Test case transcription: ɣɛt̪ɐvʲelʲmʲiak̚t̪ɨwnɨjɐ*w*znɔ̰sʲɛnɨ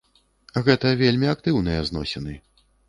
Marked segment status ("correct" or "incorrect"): incorrect